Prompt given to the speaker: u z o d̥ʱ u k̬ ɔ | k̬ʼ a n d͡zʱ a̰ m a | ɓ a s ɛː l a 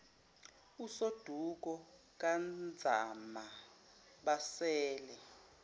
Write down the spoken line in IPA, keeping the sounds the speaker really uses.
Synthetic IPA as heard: u s o d̥ʱ u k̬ ɔ | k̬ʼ a n d͡zʱ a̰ m a | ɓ a s ɛː l ɛ